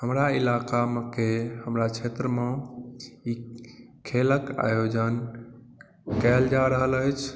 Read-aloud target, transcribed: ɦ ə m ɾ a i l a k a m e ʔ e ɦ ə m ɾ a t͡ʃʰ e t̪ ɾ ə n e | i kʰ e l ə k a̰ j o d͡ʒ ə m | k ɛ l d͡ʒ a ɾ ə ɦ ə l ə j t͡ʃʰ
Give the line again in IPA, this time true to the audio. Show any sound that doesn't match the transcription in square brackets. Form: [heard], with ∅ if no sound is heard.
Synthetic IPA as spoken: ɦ ə m ɾ a i l a k a m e [k] e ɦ ə m ɾ a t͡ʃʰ e t̪ ɾ ə [m] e | i kʰ e l ə k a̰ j o d͡ʒ ə [n] | k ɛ l d͡ʒ a ɾ ə ɦ ə l ə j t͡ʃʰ